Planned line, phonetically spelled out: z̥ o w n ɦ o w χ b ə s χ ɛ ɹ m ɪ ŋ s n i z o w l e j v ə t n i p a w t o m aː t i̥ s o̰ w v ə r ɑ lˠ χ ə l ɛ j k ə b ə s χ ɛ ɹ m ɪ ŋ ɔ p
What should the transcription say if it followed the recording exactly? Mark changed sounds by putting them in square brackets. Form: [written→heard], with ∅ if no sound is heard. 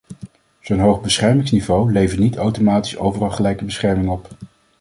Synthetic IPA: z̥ o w n ɦ o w χ b ə s χ ɛ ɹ m ɪ ŋ s n i [z→v] o w l e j v ə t n i [p→t] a w t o m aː t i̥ s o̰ w v ə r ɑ lˠ χ ə l ɛ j k ə b ə s χ ɛ ɹ m ɪ ŋ ɔ p